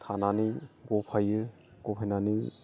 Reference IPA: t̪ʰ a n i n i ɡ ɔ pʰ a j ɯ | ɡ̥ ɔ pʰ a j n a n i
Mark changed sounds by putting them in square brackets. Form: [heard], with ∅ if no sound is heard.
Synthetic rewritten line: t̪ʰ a n [a] n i ɡ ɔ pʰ a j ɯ | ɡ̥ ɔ pʰ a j n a n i